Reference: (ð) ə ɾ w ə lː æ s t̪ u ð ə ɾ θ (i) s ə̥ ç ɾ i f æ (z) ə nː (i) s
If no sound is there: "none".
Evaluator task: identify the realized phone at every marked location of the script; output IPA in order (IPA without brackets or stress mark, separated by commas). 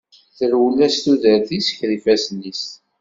θ, i, s, i